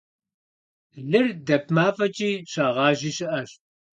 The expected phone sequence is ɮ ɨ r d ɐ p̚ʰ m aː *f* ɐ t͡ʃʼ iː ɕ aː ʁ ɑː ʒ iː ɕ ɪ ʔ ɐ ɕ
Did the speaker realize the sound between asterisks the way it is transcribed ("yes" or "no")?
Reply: yes